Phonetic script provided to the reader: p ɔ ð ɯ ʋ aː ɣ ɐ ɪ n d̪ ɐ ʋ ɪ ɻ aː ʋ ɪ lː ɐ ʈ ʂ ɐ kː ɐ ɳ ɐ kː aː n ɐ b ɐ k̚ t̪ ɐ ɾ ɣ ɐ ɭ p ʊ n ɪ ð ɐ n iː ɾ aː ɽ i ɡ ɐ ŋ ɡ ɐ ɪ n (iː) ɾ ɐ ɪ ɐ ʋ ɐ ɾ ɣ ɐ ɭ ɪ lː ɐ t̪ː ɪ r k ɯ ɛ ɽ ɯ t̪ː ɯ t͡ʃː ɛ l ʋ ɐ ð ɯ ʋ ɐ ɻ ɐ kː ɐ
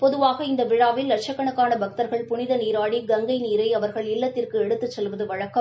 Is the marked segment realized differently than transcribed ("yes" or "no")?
no